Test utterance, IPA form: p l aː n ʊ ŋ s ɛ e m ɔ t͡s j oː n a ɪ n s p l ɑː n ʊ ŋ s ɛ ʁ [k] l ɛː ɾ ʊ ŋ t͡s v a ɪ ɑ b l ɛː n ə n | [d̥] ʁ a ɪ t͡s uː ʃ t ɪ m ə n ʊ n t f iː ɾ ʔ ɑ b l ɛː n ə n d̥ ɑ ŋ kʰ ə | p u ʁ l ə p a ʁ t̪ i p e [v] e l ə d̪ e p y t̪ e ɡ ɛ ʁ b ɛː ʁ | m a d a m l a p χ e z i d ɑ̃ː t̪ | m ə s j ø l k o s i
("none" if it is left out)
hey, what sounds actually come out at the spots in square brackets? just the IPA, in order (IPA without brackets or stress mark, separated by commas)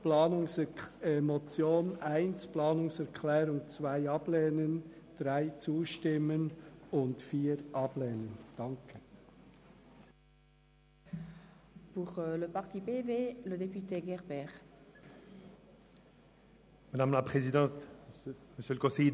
kʰ, d̥, v